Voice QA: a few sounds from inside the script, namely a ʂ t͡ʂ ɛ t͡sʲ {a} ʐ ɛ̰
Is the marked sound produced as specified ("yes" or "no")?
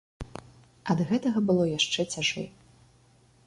yes